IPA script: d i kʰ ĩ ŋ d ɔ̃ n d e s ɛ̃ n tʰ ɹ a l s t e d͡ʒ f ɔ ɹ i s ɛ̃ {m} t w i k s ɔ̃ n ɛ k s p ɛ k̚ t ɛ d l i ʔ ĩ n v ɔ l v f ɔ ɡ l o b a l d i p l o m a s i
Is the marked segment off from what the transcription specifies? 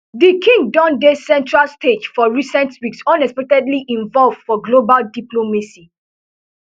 yes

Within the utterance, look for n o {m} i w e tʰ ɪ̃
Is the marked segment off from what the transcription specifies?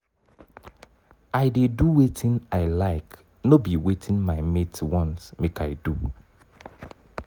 yes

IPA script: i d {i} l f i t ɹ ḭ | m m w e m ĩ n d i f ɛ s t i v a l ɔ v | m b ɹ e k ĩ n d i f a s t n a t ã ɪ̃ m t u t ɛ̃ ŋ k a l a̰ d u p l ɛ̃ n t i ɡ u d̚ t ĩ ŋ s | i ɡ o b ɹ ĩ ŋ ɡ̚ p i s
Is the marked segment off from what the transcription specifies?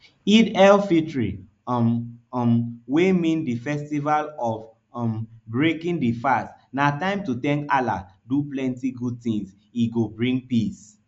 yes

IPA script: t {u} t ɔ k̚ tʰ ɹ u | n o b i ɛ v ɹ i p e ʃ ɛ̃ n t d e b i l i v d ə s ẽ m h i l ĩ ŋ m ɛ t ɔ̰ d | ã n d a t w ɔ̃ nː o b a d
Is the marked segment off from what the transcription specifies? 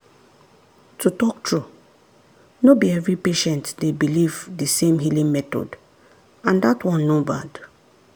no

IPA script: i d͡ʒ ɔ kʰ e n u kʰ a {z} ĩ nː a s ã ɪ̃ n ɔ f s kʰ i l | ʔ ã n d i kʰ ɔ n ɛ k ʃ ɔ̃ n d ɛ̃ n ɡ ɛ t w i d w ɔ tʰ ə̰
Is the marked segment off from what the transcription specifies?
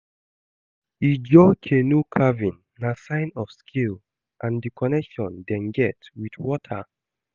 yes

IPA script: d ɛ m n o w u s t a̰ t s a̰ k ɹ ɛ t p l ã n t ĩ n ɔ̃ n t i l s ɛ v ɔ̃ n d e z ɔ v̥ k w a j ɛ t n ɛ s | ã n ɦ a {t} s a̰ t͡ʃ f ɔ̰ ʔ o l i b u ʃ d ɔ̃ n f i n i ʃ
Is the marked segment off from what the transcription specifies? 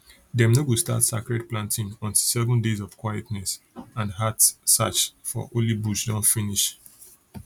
no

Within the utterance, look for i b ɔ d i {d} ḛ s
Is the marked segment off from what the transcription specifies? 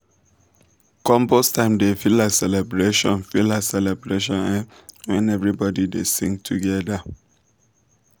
no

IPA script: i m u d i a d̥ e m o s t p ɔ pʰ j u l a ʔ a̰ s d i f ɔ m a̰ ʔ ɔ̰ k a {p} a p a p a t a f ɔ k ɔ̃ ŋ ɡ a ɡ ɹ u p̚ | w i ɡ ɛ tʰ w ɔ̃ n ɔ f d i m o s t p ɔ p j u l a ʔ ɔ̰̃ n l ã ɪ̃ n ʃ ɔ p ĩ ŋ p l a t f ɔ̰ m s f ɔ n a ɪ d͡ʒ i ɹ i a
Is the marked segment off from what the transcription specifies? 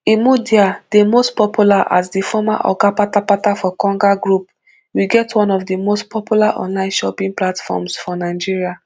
no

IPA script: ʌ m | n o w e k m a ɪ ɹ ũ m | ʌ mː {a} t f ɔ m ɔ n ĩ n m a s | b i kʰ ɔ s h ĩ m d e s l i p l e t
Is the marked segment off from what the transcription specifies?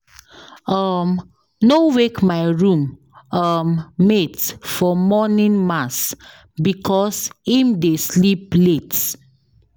yes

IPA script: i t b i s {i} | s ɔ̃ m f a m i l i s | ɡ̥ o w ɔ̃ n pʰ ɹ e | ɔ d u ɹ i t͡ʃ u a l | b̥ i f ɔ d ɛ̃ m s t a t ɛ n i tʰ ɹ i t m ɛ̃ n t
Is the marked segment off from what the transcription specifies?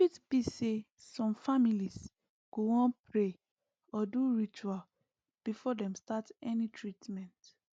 yes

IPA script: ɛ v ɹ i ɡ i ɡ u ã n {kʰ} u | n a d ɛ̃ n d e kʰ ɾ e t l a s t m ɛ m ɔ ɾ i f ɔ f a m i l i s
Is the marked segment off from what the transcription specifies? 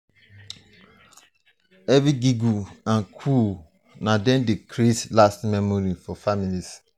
no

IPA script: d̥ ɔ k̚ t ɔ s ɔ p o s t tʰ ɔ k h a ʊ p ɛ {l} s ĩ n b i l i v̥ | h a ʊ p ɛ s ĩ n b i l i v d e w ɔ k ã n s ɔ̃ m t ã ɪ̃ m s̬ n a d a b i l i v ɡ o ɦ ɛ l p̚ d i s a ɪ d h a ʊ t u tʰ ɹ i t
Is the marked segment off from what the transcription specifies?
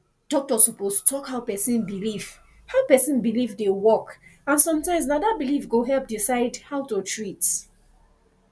yes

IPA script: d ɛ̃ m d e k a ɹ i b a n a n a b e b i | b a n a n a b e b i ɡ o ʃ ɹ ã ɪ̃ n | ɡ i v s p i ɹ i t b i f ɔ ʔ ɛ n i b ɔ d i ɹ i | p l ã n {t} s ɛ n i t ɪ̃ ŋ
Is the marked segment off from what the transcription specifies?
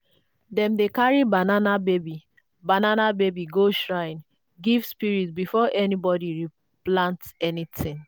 no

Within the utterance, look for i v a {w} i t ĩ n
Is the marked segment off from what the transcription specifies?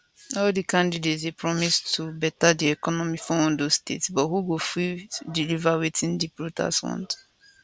no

